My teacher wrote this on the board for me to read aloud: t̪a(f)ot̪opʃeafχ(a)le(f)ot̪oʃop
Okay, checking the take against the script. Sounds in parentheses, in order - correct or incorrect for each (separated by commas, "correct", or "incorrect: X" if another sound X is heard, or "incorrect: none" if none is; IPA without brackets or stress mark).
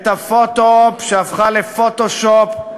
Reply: correct, correct, correct